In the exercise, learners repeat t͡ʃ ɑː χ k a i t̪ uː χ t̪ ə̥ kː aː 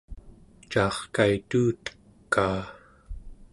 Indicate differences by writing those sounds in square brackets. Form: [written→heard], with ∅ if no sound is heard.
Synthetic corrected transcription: t͡ʃ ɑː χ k a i t̪ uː [χ→∅] t̪ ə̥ kː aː